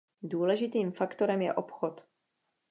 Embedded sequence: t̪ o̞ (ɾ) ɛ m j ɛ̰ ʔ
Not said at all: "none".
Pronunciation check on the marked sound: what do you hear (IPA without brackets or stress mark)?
ɾ